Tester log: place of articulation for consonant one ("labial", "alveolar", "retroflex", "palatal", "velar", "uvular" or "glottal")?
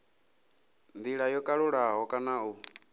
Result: alveolar